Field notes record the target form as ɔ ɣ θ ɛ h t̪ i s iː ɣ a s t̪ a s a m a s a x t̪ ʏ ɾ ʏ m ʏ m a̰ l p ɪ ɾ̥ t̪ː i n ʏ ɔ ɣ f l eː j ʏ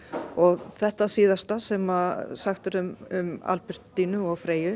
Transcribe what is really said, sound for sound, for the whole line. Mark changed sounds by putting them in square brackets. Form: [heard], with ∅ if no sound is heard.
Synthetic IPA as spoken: ɔ ɣ θ ɛ h t̪ [a] s iː [ð] a s t̪ a s [ɛ] m a s a x t̪ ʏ ɾ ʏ m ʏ m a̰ l p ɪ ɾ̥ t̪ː i n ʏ ɔ ɣ f [ɾ] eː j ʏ